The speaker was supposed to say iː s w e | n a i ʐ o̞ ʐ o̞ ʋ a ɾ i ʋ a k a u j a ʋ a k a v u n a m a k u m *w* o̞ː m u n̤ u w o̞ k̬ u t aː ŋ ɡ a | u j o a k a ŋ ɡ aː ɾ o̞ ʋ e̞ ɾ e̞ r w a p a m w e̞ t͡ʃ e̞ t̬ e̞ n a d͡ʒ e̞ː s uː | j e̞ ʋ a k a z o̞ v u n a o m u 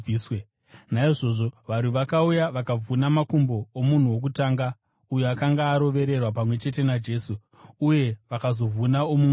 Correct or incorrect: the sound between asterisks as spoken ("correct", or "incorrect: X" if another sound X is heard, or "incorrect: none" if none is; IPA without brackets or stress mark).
incorrect: b